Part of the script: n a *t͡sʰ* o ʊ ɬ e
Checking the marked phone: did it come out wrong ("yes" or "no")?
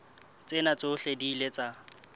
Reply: yes